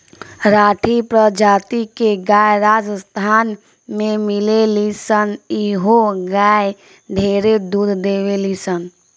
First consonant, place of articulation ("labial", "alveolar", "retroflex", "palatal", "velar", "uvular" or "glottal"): alveolar